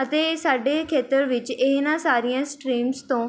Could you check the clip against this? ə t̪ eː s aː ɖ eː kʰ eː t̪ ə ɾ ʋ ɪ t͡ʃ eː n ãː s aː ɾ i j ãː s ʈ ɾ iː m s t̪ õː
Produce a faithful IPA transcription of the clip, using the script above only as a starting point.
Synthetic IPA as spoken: ə t̪ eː s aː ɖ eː kʰ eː t̪ ə ɾ ʋ ɪ t͡ʃ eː n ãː s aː ɾ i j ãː s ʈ ɾ iː m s t̪ õː

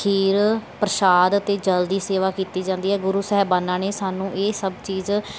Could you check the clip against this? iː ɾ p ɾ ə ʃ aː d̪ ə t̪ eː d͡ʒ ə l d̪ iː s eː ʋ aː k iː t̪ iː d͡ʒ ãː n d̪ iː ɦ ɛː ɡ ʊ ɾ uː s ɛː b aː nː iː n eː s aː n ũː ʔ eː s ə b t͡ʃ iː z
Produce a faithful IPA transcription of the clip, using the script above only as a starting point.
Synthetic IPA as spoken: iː ɾ p ɾ ə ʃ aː d̪ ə t̪ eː d͡ʒ ə l d̪ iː s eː ʋ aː k iː t̪ iː d͡ʒ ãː n d̪ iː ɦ ɛː ɡ ʊ ɾ uː s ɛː b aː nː aː n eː s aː n ũː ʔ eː s ə b t͡ʃ iː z

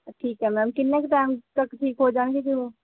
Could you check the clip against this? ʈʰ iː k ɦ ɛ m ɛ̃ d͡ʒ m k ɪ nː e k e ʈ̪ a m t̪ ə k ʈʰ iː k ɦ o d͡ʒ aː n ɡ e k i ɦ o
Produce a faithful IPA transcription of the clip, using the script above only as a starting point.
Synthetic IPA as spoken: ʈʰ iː k ɦ ɛ m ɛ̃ m k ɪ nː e k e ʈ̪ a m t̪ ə k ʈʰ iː k ɦ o d͡ʒ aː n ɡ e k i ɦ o

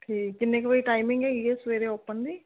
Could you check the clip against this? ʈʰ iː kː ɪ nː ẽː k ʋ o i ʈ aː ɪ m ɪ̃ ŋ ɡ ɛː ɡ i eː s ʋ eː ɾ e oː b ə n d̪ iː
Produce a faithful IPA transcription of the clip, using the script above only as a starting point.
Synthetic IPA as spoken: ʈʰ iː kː ɪ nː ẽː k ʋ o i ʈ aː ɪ m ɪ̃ ŋ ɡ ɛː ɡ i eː s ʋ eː ɾ e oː p ə n d̪ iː

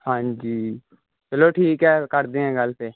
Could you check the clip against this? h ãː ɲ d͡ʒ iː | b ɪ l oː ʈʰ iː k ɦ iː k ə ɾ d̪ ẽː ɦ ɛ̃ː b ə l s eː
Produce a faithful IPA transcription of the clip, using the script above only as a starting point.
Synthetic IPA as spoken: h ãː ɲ d͡ʒ iː | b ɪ l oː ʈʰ iː k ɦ ɛː k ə ɾ d̪ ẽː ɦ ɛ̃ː ɡ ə l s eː

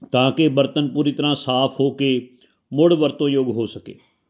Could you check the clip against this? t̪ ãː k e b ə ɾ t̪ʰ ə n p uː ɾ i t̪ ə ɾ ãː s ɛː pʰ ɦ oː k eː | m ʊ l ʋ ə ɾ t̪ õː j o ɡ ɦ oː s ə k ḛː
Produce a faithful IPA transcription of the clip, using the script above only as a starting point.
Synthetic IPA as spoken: t̪ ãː k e b ə ɾ t̪ ə n p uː ɾ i t̪ ə ɾ ãː s aː pʰ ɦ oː k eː | m ʊ ɽ ʋ ə ɾ t̪ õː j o ɡ ɦ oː s ə k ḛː

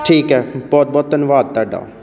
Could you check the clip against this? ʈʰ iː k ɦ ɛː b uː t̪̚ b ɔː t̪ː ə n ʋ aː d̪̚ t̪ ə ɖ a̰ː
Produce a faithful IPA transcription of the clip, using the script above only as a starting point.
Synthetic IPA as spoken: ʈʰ iː k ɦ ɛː b ɔː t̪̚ b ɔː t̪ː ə n ʋ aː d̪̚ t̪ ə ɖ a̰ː

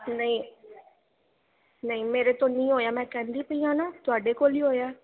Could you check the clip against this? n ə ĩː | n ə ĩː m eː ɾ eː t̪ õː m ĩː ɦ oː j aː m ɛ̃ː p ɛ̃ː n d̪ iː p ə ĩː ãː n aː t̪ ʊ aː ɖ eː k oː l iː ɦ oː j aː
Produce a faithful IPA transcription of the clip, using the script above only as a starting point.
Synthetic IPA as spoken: n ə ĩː | n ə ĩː m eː ɾ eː t̪ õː n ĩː ɦ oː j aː m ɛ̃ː k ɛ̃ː n d̪ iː p ə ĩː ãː n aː t̪ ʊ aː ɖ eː k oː l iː ɦ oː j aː

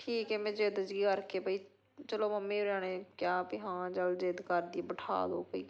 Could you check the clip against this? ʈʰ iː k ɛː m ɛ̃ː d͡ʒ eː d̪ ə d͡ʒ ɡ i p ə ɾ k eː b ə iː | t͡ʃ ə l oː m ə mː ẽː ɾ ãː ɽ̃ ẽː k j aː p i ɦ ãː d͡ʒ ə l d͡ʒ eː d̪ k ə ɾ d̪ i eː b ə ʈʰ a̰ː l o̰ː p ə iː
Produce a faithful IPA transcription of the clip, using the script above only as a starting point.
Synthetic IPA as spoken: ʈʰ iː k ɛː m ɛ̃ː d͡ʒ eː d̪ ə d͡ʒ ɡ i k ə ɾ k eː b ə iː | t͡ʃ ə l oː m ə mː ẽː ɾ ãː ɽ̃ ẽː k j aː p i ɦ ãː d͡ʒ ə l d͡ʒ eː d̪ k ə ɾ d̪ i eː b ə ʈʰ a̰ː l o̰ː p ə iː

